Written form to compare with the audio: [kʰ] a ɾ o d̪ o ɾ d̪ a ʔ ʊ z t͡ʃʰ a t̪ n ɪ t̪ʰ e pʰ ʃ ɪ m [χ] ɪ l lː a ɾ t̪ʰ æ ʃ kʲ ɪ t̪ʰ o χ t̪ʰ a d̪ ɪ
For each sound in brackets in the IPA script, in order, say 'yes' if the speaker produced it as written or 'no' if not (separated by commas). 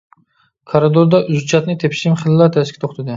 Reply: yes, yes